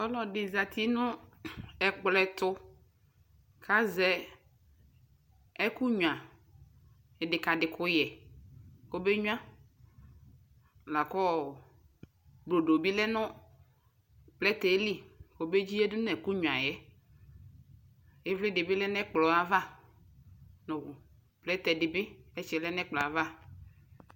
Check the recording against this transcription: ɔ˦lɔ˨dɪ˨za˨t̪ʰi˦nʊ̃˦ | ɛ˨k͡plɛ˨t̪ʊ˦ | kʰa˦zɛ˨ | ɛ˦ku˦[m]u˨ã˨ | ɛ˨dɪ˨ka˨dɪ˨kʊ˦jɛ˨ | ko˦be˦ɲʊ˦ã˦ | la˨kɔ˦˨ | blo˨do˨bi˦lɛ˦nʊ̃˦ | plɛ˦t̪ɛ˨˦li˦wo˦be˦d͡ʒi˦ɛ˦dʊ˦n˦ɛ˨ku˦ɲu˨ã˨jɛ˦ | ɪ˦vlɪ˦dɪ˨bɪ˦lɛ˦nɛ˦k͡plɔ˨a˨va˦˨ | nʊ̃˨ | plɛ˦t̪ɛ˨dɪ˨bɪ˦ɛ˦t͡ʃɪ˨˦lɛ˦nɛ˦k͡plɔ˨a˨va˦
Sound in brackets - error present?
yes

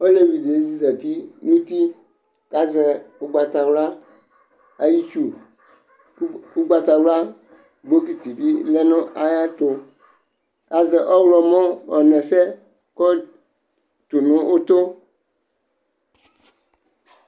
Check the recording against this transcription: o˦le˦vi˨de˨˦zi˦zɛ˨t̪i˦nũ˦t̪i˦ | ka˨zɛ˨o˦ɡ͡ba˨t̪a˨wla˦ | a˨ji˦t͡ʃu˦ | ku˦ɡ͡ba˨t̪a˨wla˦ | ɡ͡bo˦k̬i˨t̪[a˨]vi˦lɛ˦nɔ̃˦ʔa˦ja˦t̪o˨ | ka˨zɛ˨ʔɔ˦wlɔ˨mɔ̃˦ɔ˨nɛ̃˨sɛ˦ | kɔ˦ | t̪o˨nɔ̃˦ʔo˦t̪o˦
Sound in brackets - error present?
yes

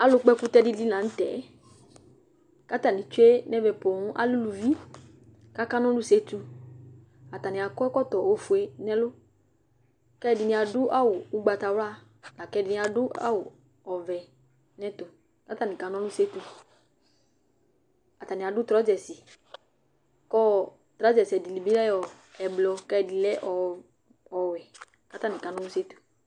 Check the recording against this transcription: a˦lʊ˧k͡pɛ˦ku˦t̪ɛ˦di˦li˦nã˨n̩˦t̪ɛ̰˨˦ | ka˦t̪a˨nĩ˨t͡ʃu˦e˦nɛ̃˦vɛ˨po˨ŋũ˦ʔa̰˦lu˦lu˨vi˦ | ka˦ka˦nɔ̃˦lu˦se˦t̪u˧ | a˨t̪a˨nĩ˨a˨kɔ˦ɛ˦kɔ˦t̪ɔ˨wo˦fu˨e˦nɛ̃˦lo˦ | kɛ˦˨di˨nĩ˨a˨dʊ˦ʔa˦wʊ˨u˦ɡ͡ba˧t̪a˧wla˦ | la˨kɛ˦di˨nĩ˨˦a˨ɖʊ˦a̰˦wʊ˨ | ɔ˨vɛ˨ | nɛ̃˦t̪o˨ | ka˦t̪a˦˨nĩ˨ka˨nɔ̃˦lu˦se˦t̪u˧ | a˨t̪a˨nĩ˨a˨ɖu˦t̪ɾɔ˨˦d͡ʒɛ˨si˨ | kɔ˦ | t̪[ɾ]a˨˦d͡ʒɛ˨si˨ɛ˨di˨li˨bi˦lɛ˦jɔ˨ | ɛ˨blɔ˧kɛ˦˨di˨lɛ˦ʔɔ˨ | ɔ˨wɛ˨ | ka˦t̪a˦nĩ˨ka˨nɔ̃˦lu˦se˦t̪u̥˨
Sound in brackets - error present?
no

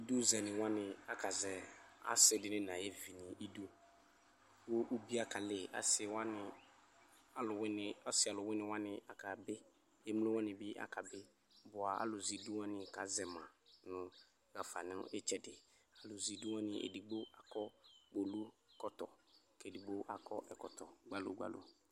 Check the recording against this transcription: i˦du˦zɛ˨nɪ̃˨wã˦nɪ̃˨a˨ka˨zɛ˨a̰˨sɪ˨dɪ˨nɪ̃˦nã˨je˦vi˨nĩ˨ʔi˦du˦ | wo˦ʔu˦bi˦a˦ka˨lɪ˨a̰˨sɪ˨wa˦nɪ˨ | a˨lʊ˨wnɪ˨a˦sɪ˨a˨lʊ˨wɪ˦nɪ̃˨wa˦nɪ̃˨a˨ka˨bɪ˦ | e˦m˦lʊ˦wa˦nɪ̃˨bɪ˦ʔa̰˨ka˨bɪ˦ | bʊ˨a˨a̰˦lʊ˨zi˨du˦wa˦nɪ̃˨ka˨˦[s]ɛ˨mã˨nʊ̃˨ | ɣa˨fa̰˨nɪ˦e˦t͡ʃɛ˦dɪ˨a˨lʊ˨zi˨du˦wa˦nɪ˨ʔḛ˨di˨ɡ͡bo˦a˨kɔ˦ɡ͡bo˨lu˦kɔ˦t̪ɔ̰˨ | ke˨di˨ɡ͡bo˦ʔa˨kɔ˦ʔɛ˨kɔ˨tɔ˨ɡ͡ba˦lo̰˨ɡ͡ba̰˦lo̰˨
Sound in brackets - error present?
yes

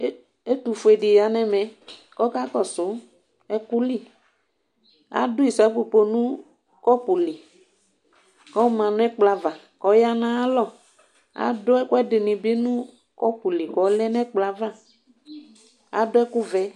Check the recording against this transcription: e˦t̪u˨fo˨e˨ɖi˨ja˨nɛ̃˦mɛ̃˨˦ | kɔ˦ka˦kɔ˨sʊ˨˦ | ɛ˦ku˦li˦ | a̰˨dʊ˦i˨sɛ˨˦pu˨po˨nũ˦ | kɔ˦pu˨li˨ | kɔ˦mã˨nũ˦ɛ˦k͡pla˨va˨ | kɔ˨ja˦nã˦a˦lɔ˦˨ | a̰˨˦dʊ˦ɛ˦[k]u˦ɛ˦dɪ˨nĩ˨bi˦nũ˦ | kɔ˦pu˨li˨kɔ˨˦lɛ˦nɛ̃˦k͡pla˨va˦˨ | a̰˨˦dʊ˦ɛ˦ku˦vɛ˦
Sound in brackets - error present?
no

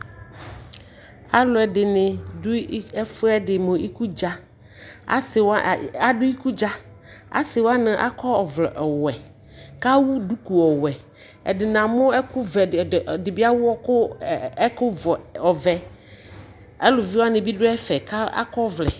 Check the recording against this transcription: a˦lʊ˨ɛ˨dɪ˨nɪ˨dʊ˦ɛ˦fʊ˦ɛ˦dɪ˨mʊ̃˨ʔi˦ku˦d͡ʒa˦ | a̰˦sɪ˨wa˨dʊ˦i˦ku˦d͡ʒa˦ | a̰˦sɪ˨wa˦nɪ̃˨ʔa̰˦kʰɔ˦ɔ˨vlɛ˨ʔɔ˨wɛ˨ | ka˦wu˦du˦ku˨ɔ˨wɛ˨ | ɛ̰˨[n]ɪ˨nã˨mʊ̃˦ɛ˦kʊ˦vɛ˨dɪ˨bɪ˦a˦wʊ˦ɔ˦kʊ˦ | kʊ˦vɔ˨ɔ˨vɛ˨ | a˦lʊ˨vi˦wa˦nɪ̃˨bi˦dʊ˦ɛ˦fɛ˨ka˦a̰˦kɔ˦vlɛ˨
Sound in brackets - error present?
yes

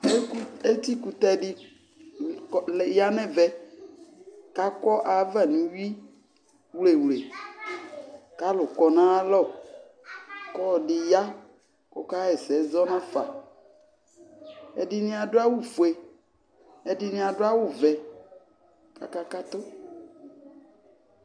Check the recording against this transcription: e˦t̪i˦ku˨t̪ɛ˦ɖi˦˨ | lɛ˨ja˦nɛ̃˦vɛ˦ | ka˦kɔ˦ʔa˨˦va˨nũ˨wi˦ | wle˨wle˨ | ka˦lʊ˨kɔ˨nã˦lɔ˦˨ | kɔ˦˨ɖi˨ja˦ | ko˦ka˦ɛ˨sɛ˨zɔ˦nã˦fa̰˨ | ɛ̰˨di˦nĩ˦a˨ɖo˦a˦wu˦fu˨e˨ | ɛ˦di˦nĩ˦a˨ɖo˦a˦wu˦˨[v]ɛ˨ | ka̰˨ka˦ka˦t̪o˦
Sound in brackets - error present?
no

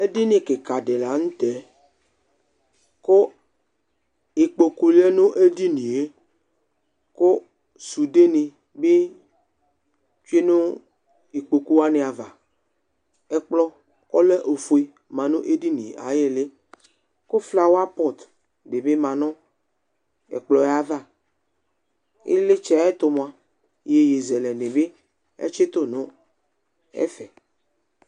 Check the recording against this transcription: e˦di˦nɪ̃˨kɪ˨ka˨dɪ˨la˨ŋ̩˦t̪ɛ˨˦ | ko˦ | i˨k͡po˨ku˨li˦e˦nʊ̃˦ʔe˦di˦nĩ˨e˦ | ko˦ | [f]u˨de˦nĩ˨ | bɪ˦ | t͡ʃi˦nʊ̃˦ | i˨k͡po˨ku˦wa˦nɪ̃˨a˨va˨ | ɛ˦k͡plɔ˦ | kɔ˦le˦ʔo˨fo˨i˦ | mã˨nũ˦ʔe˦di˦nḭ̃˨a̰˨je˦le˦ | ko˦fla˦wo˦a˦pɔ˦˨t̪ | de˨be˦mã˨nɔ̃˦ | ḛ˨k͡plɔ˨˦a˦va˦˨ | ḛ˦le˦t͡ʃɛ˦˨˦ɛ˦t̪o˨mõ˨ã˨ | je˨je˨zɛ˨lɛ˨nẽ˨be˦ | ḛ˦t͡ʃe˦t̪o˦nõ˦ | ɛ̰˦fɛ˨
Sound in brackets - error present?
yes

